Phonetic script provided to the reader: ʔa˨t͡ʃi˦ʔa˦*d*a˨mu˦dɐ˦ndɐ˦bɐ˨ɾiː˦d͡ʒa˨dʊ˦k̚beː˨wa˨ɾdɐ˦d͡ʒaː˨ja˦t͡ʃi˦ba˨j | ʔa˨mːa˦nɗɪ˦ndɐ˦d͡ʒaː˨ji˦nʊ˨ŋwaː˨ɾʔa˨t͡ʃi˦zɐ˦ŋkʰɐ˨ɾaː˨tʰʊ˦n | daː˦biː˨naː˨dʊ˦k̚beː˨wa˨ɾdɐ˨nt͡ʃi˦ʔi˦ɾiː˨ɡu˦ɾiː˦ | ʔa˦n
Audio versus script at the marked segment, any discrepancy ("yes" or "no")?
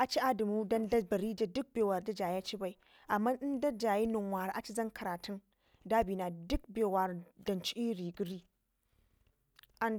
no